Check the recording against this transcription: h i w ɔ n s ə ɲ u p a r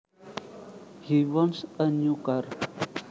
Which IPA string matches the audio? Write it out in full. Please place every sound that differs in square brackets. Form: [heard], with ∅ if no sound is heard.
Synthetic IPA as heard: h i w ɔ n s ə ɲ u [k] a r